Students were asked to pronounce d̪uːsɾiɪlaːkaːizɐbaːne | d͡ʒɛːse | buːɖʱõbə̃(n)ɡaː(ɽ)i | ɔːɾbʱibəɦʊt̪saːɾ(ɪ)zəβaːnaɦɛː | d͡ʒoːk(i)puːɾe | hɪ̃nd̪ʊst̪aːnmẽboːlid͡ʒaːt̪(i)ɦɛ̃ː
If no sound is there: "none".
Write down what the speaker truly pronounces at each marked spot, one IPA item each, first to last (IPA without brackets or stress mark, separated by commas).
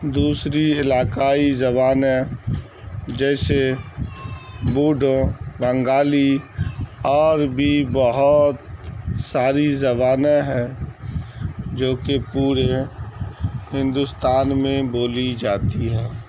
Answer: ŋ, l, i, e, i